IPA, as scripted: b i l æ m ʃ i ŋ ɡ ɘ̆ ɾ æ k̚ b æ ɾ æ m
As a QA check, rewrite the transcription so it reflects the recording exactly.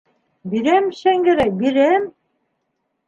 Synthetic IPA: b i ɾ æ m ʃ æ ŋ ɡ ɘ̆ ɾ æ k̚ b i ɾ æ m